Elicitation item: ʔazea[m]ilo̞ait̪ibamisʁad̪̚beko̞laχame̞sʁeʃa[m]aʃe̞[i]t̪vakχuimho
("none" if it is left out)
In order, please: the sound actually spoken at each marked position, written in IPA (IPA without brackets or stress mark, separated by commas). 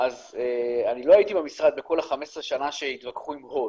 n, n, i